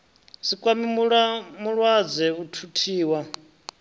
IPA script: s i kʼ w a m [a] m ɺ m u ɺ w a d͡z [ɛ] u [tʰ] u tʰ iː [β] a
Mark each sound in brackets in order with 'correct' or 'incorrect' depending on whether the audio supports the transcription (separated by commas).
incorrect, correct, correct, incorrect